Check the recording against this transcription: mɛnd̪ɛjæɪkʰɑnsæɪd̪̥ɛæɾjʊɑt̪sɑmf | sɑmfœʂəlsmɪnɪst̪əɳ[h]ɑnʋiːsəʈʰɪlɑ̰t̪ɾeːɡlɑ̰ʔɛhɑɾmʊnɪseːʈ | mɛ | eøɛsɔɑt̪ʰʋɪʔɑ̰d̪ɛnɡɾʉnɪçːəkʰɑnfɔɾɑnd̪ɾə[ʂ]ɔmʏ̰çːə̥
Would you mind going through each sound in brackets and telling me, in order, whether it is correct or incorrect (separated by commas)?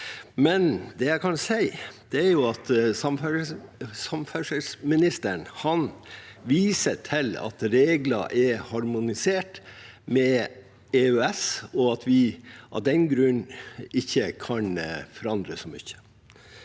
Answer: correct, incorrect